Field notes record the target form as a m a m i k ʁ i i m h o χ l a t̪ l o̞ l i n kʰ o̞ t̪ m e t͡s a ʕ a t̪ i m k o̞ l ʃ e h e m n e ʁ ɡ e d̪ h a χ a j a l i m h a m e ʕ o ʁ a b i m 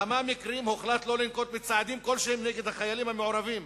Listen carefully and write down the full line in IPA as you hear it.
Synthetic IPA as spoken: a m a m i k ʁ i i m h o χ l a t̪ l o̞ l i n k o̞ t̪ m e t͡s a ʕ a d̪ i m k o̞ l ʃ e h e m n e ɡ e d̪ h a χ a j a l i m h a m e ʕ o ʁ a v i m